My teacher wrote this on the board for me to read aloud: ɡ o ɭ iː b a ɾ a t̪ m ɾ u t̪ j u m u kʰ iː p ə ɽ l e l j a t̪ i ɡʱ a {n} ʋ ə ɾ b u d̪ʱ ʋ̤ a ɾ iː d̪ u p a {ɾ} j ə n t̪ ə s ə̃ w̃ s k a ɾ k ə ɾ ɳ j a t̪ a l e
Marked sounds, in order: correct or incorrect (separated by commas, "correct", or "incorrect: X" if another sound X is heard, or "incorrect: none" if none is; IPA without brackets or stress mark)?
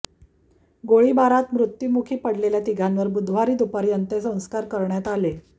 correct, correct